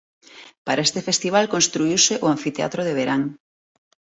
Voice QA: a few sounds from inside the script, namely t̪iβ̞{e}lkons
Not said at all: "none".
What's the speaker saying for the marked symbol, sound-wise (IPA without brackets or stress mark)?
a